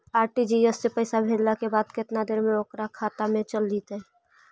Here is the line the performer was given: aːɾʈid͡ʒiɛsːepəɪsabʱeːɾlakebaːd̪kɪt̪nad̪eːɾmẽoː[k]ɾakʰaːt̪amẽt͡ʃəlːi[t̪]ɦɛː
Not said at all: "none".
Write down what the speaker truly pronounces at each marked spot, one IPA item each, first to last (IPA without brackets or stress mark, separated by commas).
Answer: k, t̪